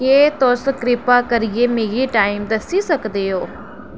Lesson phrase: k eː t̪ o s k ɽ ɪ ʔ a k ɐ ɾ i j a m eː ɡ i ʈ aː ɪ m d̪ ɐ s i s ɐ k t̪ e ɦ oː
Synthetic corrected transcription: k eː t̪ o s k ɾ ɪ p a k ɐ ɾ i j e m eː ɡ i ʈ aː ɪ m d̪ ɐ s i s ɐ k d̪ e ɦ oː